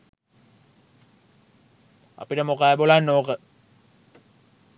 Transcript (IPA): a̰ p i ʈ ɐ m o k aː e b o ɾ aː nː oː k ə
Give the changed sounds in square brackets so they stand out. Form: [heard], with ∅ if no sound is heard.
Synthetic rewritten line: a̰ p i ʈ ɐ m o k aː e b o [l] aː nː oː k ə

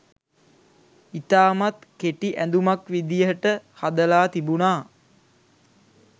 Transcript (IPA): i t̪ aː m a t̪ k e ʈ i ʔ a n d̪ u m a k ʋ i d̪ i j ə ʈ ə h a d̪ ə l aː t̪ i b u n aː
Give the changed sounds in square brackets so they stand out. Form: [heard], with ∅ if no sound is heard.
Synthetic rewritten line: i t̪ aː m a t̪ k e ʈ i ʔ [æ] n d̪ u m a k ʋ i d̪ i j ə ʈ ə h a d̪ ə l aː t̪ i b u n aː

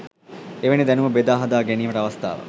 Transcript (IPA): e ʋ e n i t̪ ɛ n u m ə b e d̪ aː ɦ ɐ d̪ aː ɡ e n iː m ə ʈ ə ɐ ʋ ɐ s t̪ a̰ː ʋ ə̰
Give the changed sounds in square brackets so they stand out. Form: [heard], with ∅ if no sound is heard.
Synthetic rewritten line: e ʋ e n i [d̪] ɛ n u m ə b e d̪ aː ɦ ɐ d̪ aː ɡ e n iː m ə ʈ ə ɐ ʋ ɐ s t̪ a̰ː ʋ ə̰

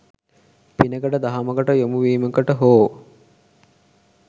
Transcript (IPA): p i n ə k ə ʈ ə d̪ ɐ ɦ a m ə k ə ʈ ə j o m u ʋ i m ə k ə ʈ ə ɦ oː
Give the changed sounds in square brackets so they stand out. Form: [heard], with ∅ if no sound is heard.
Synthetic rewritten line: p i n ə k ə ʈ ə d̪ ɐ ɦ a m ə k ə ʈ ə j o m u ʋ [iː] m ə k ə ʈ ə ɦ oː

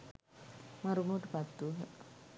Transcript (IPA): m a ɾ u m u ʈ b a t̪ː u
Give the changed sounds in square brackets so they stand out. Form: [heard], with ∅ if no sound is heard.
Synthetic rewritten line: m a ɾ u m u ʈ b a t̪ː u

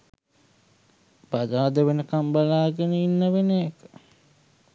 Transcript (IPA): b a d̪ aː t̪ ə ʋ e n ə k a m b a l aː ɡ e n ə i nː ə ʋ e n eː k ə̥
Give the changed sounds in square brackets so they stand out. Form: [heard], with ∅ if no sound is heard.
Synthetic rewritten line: b a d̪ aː [d̪] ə ʋ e n ə k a m b a l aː ɡ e n ə i nː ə ʋ e n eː k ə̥

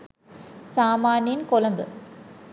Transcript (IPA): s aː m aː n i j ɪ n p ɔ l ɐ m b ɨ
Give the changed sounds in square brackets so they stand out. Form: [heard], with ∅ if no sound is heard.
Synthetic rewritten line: s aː m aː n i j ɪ n [k] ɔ l ɐ m b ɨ

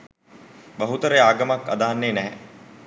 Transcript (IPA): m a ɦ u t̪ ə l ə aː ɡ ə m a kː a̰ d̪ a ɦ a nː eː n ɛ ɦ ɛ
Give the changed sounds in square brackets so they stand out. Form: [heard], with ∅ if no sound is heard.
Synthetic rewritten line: [b] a ɦ u t̪ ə [ɾ] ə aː ɡ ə m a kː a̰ d̪ a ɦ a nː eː n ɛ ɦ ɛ

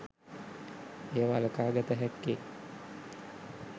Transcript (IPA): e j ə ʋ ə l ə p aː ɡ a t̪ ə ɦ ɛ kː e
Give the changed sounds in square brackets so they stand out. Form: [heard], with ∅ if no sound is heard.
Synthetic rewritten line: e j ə ʋ [a] l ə [k] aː ɡ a t̪ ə ɦ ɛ kː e

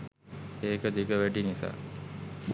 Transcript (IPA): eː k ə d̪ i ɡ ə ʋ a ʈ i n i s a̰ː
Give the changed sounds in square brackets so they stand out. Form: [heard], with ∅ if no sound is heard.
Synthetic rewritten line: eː k ə d̪ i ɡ ə ʋ [æ] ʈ i n i s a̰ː

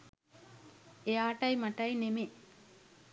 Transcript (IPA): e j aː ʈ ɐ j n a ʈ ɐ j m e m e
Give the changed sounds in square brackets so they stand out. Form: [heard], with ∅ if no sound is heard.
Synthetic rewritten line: e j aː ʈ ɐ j [m] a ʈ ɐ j [n] e m e

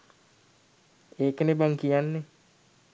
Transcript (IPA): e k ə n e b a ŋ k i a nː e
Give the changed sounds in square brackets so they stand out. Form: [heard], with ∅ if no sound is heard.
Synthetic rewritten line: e k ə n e b a ŋ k i a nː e

